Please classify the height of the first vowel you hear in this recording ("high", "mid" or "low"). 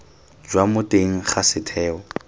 low